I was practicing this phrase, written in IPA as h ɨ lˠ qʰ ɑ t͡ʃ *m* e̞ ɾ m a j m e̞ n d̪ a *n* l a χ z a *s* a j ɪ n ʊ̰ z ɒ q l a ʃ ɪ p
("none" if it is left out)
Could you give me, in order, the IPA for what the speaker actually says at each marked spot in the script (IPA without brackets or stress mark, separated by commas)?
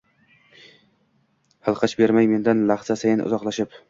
b, n, s